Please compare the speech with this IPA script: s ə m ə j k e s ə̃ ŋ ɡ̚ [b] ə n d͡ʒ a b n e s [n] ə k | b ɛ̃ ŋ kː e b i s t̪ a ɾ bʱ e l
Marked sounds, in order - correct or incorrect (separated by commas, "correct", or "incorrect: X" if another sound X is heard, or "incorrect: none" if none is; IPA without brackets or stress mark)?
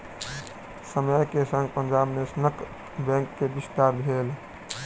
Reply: incorrect: p, correct